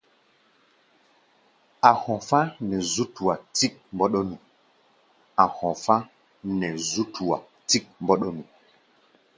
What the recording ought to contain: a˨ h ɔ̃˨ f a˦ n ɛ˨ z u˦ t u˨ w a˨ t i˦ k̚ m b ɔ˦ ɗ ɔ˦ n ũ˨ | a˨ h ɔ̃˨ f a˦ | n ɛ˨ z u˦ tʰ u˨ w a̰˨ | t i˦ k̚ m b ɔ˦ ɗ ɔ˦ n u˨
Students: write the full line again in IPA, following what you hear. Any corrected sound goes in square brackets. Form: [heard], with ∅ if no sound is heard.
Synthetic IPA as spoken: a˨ h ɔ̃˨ f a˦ n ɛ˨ z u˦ t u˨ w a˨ t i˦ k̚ m b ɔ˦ ɗ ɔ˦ n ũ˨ | a˨ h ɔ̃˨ f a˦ | n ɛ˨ z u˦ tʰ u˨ w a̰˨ | t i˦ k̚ m b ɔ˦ ɗ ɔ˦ n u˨